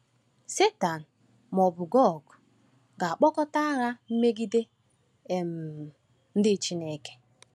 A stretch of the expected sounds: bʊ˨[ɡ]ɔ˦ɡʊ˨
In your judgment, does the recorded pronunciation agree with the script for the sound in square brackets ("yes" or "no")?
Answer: yes